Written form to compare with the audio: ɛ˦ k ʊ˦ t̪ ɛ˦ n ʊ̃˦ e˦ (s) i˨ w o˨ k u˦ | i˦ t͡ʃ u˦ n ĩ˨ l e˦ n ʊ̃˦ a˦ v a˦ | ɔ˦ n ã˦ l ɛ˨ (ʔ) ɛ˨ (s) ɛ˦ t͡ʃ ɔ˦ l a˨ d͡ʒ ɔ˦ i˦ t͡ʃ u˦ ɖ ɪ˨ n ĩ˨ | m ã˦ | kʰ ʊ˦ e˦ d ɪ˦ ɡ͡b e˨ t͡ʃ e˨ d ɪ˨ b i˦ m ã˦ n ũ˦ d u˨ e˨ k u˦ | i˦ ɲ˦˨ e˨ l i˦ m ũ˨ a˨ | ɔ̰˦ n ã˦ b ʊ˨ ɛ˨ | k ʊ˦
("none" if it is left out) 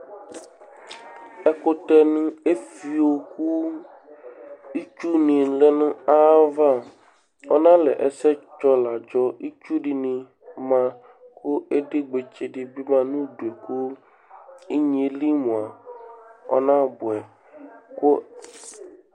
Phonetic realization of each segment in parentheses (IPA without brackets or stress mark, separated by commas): f, ʔ, s